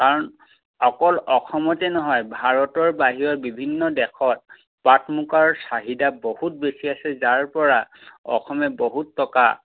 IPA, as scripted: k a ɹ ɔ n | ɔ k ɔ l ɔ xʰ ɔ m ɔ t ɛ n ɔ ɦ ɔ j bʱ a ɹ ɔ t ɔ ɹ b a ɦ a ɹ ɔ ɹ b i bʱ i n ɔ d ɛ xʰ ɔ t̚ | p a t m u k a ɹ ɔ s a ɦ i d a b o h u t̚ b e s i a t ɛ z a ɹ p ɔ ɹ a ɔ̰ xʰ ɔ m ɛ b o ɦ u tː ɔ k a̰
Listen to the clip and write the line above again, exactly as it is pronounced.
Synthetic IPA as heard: k a ɹ ɔ n | ɔ k ɔ l ɔ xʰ ɔ m ɔ t ɛ n ɔ ɦ ɔ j bʱ a ɹ ɔ t ɔ ɹ b a ɦ i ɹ ɔ ɹ b i bʱ i nː ɔ d ɛ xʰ ɔ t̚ | p a t m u k a ɹ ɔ s a ɦ i d a b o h u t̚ b e s i a s ɛ z a ɹ p ɔ ɹ a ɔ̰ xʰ ɔ m ɛ b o ɦ u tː ɔ k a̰